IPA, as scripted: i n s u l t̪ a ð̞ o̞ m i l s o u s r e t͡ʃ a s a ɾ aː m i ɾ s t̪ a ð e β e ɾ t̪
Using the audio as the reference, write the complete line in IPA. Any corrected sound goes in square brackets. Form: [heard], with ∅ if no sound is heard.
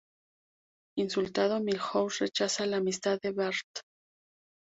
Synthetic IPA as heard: i n s u l t̪ a ð̞ o̞ m i l [x] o [w] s r e t͡ʃ a s a [l] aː m i [∅] s t̪ a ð e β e ɾ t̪